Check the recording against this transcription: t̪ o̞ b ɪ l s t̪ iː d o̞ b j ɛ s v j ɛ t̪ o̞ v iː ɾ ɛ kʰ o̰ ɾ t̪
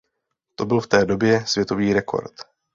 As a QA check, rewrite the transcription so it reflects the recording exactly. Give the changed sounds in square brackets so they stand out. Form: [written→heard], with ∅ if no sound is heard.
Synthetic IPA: t̪ o̞ b ɪ l [s→f] t̪ [iː→ɛː] d o̞ b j ɛ s v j ɛ t̪ o̞ v iː ɾ ɛ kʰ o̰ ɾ t̪